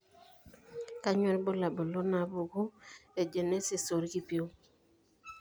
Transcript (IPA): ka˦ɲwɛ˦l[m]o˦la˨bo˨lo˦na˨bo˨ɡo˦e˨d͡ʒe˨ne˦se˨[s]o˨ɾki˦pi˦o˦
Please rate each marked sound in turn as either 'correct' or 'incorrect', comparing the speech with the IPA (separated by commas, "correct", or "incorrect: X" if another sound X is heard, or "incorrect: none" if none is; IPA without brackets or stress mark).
incorrect: b, correct